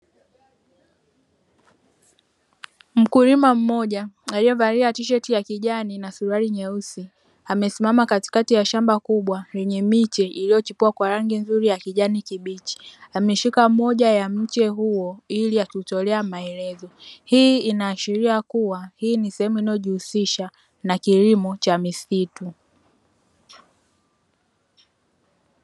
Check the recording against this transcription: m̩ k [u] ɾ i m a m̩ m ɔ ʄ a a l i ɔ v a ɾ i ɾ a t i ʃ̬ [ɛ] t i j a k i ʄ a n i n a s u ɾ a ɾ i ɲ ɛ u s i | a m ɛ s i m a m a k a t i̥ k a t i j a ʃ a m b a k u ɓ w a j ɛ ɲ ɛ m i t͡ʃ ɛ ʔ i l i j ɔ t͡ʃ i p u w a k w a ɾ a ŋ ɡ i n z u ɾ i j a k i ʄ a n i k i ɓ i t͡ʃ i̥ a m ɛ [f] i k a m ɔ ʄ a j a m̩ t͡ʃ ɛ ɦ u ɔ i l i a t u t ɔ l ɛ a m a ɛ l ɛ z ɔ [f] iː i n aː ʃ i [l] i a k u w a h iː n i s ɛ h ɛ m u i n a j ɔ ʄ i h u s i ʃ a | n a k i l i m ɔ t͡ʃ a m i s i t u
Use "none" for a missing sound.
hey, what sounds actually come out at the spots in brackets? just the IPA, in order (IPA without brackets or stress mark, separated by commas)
u, ɛ, ʃ, h, ɾ